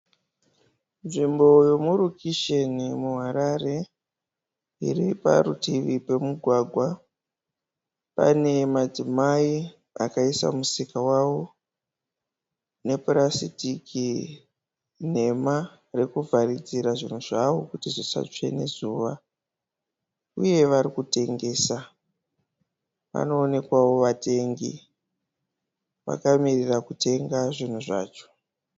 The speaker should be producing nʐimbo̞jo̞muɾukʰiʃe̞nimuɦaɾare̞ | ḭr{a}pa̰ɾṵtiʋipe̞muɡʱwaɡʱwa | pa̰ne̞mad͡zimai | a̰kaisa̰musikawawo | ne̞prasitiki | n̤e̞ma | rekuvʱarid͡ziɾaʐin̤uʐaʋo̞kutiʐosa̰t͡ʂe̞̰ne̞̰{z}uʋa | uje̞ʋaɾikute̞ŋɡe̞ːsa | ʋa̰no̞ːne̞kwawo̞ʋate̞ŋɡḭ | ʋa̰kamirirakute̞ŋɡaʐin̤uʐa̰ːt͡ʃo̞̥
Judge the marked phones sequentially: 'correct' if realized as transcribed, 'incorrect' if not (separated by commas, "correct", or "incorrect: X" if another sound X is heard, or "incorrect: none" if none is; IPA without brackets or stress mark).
incorrect: i, correct